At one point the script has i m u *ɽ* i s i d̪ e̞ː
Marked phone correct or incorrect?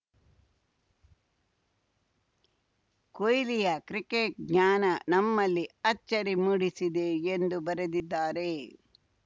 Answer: correct